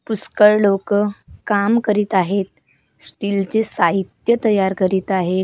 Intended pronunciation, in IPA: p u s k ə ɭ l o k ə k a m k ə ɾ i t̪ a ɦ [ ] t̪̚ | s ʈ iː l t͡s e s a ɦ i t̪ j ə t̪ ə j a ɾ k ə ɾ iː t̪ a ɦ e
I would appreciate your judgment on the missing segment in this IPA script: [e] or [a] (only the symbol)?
e